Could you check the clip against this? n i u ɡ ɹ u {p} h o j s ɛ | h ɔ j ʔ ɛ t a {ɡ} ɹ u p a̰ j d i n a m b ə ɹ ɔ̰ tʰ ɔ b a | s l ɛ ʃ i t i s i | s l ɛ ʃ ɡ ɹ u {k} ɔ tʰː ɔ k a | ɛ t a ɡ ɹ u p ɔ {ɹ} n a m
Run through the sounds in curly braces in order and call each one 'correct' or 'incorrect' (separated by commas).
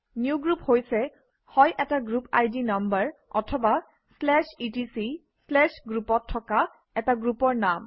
correct, correct, incorrect, correct